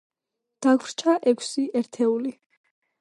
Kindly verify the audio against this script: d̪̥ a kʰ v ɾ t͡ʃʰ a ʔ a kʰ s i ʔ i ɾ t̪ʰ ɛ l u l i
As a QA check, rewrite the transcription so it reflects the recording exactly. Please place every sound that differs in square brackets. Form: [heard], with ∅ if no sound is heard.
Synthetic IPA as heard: d̪̥ a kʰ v ɾ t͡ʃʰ a ʔ [ɛ] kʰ s i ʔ [ɛ] ɾ t̪ʰ ɛ [∅] u l i